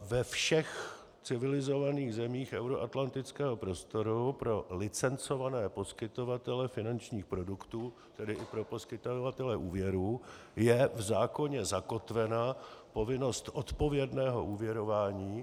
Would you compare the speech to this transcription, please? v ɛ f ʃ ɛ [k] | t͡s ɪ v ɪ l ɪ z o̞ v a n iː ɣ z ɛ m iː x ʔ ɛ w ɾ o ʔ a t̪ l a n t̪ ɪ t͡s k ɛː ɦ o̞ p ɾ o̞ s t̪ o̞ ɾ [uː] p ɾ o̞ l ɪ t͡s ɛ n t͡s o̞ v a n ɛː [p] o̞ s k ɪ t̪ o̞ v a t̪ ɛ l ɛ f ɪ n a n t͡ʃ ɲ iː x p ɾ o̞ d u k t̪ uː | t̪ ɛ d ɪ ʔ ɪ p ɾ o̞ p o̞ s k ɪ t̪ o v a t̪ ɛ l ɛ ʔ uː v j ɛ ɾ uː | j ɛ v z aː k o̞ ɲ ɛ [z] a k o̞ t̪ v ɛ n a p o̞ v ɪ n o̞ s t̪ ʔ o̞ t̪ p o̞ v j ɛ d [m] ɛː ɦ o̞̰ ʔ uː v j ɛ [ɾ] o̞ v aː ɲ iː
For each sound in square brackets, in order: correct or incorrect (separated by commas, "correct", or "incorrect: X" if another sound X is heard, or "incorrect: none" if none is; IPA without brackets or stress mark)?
incorrect: x, incorrect: u, correct, correct, incorrect: n, correct